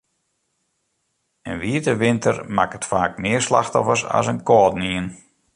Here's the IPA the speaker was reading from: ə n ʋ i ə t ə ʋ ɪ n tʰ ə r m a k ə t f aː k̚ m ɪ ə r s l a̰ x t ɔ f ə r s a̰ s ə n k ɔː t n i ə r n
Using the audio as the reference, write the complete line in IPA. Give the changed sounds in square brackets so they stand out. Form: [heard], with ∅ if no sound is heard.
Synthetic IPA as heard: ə n ʋ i ə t ə ʋ ɪ n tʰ ə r m a k ə t f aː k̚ m ɪ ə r s l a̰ x t ɔ f ə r s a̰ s ə n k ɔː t n i ə [∅] n

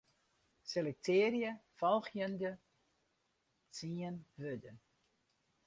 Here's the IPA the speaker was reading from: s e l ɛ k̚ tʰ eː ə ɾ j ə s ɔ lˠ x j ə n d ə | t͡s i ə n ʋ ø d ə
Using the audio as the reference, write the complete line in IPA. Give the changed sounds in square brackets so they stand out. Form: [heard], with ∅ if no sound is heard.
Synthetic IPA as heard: s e l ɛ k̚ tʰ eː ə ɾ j ə [f] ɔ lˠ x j ə n d ə | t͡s i ə n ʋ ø d ə

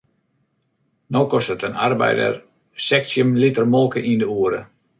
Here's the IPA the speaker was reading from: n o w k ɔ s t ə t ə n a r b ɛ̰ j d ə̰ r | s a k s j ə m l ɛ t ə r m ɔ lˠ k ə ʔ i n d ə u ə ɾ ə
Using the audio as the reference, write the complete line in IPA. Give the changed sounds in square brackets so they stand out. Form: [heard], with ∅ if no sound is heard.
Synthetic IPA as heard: n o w k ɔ s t ə t ə n a r b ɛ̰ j d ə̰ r | s [ɛ] k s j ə m l [i] t ə r m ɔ lˠ k ə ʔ i n d ə u ə ɾ ə

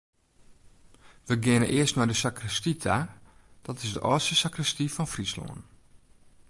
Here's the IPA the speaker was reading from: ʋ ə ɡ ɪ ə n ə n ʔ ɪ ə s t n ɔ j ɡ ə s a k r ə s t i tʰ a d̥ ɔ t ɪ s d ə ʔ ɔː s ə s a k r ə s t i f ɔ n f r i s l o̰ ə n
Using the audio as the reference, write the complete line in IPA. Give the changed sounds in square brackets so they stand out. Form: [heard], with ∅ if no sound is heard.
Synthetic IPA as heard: ʋ ə ɡ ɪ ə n ə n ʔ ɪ ə s t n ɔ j [d] ə s a k r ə s t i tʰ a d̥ ɔ t ɪ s d ə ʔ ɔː s ə s a k r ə s t i f ɔ n f r i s l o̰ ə n

